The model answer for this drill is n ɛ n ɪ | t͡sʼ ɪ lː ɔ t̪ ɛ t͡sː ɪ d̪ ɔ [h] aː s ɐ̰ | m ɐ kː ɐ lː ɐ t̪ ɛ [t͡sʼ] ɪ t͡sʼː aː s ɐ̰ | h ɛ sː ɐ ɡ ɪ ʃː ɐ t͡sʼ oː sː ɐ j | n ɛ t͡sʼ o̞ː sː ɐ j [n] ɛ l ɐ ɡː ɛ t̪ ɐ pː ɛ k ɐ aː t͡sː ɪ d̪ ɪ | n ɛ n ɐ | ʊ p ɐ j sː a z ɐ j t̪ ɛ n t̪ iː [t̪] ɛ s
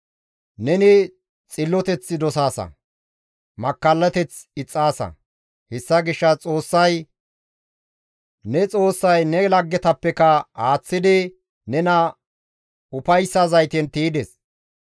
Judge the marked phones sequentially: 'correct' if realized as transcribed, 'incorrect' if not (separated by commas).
incorrect, incorrect, correct, incorrect